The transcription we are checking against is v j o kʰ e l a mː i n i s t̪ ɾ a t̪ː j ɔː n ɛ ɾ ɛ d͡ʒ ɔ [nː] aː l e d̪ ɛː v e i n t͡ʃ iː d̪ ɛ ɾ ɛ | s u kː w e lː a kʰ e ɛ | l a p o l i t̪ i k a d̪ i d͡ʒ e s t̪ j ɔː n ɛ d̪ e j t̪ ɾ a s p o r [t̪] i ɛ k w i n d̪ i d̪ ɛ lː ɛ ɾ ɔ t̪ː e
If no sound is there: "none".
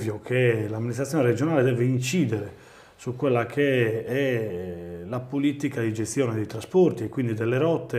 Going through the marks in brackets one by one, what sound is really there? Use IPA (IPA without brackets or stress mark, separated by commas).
n, t̪